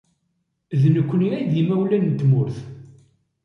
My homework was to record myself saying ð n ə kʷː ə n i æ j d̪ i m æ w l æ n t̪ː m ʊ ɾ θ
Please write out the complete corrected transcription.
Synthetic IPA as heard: ð n ə kʷː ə n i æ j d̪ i m æ w l æ n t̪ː m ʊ ɾ θ